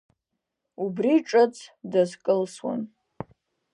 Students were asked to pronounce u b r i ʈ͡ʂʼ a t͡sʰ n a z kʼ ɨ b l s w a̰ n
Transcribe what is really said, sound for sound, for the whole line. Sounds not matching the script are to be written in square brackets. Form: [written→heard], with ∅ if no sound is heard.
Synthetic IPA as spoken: u b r i ʈ͡ʂʼ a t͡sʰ [n→d] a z kʼ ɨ [b→∅] l s w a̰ n